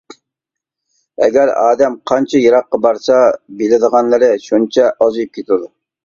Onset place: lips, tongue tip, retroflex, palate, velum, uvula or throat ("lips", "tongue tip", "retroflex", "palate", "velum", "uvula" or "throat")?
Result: velum